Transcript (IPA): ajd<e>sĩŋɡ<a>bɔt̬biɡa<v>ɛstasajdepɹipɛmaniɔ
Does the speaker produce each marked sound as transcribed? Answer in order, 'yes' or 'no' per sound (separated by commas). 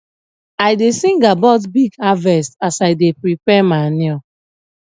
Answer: yes, yes, yes